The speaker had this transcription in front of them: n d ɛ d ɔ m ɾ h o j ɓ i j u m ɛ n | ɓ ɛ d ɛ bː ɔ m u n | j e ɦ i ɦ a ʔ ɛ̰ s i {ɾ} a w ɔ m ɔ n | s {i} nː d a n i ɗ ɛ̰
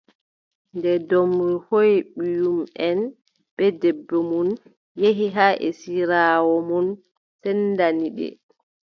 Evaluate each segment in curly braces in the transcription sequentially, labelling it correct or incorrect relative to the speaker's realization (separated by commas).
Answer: correct, incorrect